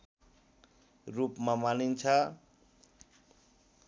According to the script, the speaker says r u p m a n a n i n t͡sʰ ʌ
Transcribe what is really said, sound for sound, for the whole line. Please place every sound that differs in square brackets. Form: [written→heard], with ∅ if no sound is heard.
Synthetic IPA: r u p m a [n→m] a n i n t͡sʰ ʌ